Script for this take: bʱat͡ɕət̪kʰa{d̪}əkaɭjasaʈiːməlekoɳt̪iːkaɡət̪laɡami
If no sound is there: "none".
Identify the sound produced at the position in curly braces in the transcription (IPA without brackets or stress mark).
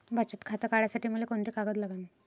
t̪